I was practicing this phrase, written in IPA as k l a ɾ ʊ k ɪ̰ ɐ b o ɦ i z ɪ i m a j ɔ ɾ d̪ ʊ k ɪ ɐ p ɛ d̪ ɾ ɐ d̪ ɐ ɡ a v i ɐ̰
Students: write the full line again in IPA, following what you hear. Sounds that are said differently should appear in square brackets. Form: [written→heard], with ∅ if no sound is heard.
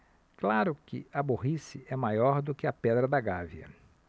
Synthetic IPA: k l a ɾ ʊ k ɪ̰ ɐ b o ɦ i [z→s] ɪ [i→ɛ] m a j ɔ ɾ d̪ ʊ k ɪ ɐ p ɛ d̪ ɾ ɐ d̪ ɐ ɡ a v i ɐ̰